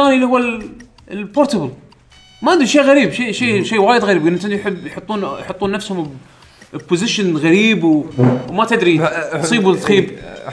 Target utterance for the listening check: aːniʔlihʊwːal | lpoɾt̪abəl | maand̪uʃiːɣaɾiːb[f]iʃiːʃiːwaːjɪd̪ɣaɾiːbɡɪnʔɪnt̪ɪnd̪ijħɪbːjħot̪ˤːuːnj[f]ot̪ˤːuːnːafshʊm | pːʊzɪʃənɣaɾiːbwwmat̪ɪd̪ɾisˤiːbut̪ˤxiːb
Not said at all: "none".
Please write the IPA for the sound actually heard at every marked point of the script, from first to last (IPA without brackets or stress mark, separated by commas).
ʃ, ħ